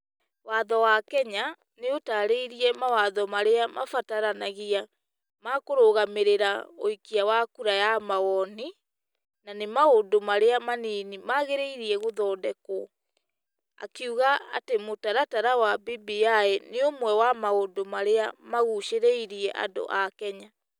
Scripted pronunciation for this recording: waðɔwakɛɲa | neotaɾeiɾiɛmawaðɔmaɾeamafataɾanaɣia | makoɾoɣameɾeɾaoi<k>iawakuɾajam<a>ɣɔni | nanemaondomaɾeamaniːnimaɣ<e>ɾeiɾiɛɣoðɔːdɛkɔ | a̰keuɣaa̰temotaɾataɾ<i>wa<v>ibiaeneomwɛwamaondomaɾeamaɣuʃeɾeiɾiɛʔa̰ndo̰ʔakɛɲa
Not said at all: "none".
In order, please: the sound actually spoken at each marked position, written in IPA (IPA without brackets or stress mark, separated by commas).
k, a, e, a, b